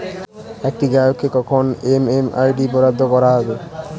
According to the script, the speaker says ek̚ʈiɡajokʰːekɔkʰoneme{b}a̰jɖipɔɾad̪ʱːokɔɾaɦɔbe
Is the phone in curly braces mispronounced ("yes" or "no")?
yes